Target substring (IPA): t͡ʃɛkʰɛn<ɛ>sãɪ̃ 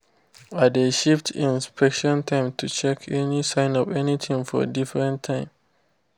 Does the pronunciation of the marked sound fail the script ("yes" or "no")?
yes